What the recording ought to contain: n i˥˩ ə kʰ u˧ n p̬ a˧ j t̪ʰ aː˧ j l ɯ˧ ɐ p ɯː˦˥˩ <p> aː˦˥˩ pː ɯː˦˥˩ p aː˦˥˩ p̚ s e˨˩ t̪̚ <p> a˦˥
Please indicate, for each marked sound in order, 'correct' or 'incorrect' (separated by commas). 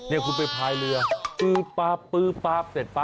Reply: correct, correct